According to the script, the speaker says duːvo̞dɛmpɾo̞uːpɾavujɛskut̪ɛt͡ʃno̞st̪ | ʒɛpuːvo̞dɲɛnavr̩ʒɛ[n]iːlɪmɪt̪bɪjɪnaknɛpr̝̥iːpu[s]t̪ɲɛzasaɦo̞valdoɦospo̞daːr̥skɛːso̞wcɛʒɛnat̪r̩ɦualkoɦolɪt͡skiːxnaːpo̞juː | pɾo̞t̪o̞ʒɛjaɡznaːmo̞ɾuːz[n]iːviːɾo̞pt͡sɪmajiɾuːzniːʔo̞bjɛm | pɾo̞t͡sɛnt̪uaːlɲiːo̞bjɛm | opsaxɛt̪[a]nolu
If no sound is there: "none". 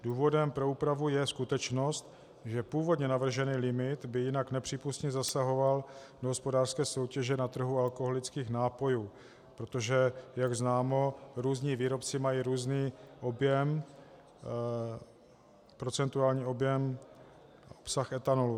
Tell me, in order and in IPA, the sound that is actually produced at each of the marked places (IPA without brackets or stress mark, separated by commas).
n, s, ɲ, a